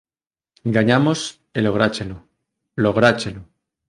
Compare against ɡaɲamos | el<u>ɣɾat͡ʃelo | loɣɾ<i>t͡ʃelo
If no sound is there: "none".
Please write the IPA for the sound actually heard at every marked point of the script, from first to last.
o, a

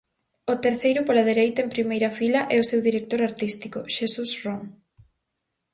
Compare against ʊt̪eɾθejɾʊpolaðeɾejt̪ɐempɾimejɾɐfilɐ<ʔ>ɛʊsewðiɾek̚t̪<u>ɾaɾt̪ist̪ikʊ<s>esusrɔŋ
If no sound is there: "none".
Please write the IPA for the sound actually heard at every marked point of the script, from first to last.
ʔ, o, ʃ

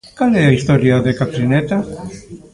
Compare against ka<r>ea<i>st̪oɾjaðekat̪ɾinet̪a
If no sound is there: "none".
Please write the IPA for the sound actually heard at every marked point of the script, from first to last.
l, i

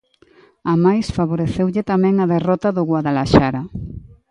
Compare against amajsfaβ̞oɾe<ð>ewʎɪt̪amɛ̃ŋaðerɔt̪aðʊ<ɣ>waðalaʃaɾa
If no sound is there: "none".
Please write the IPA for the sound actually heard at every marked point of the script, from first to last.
θ, ɣ

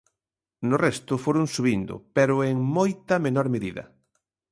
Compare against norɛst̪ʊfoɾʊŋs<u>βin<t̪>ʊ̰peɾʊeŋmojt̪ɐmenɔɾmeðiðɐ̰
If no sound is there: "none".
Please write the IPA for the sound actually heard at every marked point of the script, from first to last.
u, d̪

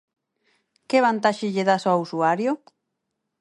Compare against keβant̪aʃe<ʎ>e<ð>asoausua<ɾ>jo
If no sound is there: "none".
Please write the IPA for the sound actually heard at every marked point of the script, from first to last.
ʎ, ð, ɾ

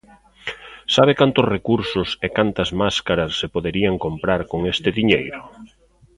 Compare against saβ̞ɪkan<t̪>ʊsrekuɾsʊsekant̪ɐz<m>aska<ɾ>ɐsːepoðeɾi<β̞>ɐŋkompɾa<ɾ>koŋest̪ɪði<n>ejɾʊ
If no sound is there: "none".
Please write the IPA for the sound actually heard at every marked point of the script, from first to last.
t̪, m, ɾ, none, ɾ, ɲ

